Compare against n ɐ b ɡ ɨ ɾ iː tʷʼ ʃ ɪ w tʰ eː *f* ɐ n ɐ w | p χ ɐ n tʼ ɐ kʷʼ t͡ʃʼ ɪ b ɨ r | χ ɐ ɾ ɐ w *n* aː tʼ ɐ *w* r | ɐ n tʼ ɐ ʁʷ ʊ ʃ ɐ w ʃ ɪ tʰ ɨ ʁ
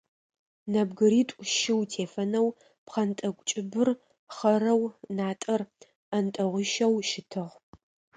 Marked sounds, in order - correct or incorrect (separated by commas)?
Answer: correct, correct, incorrect